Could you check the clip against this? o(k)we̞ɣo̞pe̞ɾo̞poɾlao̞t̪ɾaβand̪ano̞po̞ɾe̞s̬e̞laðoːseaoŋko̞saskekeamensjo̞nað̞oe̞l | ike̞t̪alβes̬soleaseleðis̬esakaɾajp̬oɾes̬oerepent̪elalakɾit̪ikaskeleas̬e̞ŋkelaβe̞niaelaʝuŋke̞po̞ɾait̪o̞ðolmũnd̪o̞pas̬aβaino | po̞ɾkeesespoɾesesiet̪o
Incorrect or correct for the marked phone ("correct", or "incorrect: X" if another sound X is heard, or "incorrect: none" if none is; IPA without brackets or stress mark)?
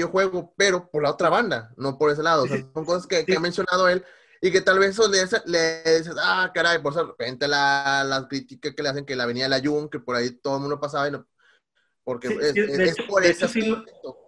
incorrect: x